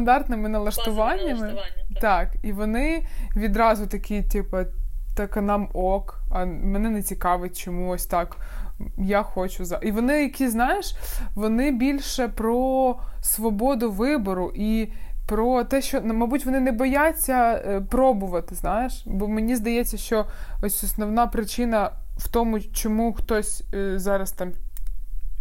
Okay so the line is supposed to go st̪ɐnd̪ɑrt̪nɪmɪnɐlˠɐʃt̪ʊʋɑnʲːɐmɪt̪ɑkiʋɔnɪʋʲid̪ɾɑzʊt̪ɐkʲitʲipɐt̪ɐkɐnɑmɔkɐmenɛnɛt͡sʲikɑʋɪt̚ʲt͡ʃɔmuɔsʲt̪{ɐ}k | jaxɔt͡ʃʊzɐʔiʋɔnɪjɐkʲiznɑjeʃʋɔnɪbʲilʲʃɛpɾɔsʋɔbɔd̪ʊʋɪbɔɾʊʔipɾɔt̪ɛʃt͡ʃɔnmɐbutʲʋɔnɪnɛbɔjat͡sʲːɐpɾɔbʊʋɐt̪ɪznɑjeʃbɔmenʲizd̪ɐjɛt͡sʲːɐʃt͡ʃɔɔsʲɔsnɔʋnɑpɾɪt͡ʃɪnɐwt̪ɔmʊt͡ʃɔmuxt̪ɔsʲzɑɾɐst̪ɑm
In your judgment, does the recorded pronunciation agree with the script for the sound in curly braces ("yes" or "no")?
no